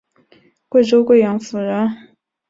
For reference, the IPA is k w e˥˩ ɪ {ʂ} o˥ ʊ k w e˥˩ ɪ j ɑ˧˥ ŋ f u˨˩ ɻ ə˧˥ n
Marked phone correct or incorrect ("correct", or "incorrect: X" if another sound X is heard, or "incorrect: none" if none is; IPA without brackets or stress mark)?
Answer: incorrect: ʈ͡ʂ